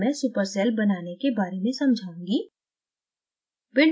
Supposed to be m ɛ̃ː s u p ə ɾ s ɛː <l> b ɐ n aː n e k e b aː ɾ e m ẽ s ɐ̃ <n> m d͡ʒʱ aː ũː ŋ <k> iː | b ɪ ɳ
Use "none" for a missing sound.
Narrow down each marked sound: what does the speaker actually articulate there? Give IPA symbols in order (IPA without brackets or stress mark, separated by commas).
l, none, ɡ